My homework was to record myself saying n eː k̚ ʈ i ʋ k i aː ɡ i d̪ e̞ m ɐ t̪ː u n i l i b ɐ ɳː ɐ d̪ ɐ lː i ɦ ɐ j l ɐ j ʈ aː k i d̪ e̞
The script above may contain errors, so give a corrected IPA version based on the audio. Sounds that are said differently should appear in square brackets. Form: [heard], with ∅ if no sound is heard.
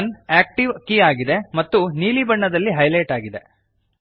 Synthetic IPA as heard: n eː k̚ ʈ i ʋ k i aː ɡ i d̪ e̞ m ɐ t̪ː u n [iː] l i b ɐ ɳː ɐ d̪ ɐ lː i ɦ ɐ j l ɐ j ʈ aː [ɡ] i d̪ e̞